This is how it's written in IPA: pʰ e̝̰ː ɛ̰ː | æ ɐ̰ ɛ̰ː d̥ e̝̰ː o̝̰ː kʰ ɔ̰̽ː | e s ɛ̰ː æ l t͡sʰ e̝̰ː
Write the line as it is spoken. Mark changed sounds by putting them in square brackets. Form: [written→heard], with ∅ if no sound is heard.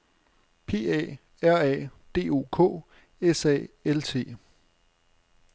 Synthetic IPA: pʰ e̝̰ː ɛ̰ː | æ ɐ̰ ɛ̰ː d̥ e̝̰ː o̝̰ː kʰ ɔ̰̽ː | e s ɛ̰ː [æ→e] l t͡sʰ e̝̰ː